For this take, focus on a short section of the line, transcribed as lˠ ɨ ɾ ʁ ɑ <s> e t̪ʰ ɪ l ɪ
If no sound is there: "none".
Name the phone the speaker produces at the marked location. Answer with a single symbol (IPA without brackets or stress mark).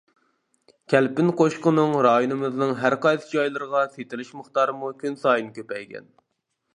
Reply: s